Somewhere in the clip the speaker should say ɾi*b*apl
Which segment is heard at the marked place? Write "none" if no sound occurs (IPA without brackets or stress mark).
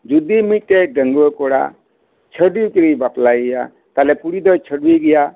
b